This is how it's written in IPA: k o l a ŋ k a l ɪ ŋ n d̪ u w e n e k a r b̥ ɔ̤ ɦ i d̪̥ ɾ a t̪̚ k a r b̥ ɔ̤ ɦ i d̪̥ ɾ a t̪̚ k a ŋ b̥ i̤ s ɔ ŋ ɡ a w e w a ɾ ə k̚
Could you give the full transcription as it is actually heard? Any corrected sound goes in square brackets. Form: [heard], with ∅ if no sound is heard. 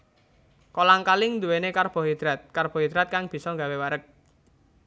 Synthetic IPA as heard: k o l a ŋ k a l ɪ ŋ n d̪ u w e n e k a r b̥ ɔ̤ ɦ i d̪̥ ɾ a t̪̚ k a r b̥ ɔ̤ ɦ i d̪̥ ɾ a t̪̚ k a ŋ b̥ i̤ s ɔ ŋ ɡ a w e w a ɾ ə k̚

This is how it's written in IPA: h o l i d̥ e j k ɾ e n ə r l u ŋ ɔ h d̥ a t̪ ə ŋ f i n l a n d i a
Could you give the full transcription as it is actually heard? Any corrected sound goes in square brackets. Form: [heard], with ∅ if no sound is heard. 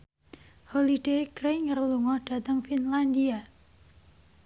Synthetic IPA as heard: h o l i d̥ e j k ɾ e [ŋ] ə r l u ŋ ɔ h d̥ a t̪ ə ŋ f i n l a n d i a

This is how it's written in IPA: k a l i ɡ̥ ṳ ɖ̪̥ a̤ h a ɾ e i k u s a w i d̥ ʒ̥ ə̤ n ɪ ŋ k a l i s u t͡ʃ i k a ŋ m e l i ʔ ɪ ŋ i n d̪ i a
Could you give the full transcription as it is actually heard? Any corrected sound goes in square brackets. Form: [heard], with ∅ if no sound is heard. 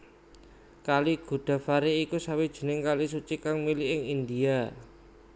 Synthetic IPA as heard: k a l i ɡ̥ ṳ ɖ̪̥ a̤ [f] a ɾ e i k u s a w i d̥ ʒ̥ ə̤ n ɪ ŋ k a l i s u t͡ʃ i k a ŋ m [i] l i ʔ ɪ ŋ i n d̪ i a

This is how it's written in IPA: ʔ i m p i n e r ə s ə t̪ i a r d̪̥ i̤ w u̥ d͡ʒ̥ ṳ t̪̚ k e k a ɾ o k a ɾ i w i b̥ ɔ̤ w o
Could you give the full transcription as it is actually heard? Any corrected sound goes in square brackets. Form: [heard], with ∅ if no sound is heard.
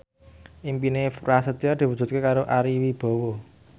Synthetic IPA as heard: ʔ i m p i n e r [a] s ə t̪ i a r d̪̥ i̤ w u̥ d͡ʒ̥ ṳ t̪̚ k e k a ɾ o [ʔ] a ɾ i w i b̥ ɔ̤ w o

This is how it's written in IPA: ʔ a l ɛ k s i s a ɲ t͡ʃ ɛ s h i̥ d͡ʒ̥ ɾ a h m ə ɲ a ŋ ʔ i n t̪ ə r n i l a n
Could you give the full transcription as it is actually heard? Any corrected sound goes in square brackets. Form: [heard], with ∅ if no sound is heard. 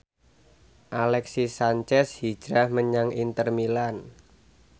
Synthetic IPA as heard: ʔ a l ɛ k s i s a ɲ t͡ʃ ɛ s h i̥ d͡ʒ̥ ɾ a h m ə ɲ a ŋ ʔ i n t̪ ə r [m] i l a n

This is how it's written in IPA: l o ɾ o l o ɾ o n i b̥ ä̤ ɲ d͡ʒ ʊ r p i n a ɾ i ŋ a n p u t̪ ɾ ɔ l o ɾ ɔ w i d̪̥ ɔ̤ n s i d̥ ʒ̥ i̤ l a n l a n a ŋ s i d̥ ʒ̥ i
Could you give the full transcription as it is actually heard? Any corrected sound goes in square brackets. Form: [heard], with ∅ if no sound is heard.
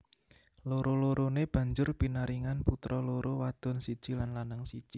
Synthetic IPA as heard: l o ɾ o l o ɾ o n [e] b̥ ä̤ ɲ d͡ʒ ʊ r p i n a ɾ i ŋ a n p u t̪ ɾ ɔ l o ɾ [o] w [a] d̪̥ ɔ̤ n s i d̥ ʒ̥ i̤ l a n l a n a ŋ s i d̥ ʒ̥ i

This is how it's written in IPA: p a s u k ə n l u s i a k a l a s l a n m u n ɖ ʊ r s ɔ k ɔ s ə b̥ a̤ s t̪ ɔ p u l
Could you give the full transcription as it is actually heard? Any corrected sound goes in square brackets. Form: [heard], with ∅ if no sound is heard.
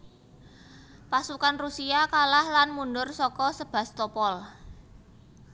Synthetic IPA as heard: p a s u k [a] n [r] u s i a k a l a [h] l a n m u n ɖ ʊ r s ɔ k ɔ s ə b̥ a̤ s t̪ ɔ p [ɔ] l

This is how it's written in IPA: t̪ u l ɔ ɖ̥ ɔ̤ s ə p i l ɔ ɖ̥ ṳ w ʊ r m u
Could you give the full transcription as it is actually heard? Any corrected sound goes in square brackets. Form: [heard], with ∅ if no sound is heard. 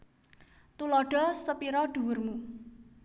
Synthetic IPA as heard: t̪ u l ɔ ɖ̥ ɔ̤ s ə p i [ɾ] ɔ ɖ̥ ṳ w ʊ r m u

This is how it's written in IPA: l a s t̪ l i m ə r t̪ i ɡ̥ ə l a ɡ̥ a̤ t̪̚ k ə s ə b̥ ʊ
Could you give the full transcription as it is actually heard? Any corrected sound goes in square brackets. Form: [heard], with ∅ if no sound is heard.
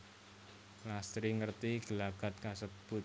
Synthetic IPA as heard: l a s t̪ [ɾ] i [ŋ] ə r t̪ i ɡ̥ ə l a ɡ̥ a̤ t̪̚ k [a] s ə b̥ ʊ

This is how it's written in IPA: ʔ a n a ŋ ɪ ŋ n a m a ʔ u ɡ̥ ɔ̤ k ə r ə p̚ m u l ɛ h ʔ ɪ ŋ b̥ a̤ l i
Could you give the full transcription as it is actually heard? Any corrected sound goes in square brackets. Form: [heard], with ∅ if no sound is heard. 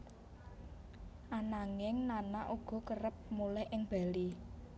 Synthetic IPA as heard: ʔ a n a ŋ ɪ ŋ n a [n] a ʔ u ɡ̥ ɔ̤ k ə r ə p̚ m u l ɛ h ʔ ɪ ŋ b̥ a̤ l i

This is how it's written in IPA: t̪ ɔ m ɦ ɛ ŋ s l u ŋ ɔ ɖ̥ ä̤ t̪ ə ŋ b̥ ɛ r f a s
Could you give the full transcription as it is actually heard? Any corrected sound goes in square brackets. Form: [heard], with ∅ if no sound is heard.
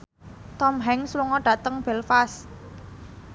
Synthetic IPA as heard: t̪ ɔ m ɦ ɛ ŋ s l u ŋ ɔ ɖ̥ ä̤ t̪ ə ŋ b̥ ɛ [l] f a s

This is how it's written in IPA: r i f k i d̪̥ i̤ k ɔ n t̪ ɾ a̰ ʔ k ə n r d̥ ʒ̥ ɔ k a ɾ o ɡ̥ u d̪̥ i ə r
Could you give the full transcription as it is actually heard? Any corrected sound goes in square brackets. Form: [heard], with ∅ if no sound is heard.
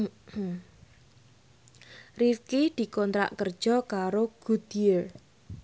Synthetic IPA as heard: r i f k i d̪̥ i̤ k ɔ n t̪ ɾ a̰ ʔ k ə [∅] r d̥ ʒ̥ ɔ k a ɾ o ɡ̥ u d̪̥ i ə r

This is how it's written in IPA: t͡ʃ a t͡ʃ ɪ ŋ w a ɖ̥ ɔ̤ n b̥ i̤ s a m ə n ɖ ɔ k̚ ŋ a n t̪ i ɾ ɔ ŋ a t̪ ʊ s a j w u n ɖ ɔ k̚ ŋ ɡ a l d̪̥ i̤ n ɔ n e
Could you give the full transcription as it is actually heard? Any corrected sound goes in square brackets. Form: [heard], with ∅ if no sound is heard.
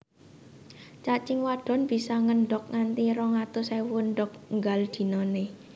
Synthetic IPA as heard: t͡ʃ a t͡ʃ ɪ ŋ w a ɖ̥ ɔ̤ n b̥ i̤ s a [ŋ] ə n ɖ ɔ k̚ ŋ a n t̪ i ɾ ɔ ŋ a t̪ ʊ s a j w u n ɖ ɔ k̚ ŋ ɡ a l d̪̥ i̤ n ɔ n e

